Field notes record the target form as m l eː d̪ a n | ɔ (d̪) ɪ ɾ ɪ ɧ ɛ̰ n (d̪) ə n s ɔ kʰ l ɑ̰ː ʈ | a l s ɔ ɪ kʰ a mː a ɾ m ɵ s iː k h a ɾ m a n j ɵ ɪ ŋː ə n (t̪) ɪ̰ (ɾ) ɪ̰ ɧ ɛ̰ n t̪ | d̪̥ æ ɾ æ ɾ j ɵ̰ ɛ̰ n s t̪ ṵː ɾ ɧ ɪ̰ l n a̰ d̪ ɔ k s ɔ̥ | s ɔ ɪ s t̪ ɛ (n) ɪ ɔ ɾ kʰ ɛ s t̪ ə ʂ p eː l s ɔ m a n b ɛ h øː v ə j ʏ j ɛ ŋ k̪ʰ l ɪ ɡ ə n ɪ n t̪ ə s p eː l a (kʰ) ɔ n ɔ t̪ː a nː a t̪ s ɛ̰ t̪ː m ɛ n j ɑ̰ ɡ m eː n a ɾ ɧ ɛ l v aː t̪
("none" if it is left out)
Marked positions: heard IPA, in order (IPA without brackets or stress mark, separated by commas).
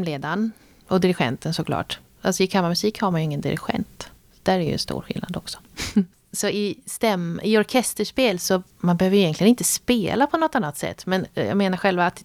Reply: d̪, t̪, d̪, ɾ, m, pʰ